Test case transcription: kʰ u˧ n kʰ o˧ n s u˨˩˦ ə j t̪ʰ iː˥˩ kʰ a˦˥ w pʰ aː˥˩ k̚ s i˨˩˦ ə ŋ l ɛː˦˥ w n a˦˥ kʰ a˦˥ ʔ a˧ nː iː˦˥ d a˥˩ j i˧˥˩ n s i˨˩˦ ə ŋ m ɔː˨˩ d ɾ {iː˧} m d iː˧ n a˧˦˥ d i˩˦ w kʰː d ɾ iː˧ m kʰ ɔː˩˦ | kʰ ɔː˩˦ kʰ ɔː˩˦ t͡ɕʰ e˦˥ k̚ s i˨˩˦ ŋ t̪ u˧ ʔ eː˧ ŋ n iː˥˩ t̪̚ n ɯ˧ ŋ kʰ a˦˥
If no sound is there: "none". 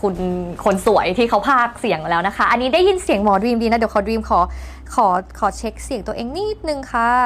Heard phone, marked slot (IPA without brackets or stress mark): iː˧